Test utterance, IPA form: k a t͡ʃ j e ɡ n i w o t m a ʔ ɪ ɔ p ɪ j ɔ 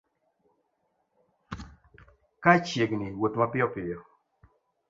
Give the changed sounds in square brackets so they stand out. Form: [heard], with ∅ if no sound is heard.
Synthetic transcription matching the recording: k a t͡ʃ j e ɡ n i w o t m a [p] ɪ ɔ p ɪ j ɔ